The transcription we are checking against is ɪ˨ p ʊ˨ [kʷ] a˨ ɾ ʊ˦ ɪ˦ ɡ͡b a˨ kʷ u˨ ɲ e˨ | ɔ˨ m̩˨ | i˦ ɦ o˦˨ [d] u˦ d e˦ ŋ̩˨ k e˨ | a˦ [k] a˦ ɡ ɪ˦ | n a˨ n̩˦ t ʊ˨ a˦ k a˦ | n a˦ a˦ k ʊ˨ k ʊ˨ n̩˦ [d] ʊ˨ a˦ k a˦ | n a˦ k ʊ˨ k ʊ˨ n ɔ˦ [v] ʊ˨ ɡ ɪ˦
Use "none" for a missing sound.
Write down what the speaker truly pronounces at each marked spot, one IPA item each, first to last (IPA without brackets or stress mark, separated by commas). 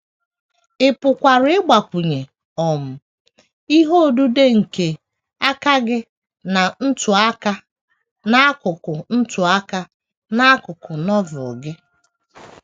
kʷ, d, k, t, v